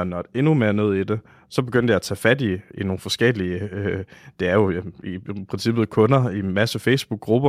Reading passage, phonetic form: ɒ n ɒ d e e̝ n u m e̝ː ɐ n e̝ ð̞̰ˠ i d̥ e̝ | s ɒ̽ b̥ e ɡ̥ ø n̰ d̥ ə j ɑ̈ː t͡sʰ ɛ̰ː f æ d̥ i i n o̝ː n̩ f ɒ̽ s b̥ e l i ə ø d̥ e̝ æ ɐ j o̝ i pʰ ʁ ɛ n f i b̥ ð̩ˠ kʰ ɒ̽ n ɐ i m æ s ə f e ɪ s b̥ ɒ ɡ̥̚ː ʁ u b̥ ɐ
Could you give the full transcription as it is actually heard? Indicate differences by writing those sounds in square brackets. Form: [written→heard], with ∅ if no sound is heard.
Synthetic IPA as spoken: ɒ n ɒ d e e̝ n u m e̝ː ɐ n e̝ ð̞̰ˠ i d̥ e̝ | s ɒ̽ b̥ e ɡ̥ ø n̰ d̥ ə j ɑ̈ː t͡sʰ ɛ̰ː f æ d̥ i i n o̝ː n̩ f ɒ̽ s [b̥→ɡ̥] e l i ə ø d̥ e̝ æ ɐ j o̝ i pʰ ʁ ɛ n [f→s] i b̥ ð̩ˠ kʰ [ɒ̽→ɔ̽] n ɐ i m æ s ə f e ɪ s b̥ [ɒ→u] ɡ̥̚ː ʁ u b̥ ɐ